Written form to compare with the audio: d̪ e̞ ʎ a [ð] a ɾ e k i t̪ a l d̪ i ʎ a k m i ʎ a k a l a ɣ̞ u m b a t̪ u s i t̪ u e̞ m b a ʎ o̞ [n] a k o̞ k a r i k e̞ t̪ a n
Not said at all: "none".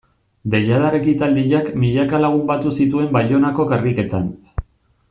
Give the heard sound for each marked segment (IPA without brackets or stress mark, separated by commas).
ð, n